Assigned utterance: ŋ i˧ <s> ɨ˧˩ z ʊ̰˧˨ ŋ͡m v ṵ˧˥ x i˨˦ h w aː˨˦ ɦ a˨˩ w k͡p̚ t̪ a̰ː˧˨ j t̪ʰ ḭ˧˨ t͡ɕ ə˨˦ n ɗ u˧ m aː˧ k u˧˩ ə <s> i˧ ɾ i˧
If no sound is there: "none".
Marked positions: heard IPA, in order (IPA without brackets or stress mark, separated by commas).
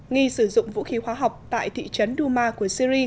s, s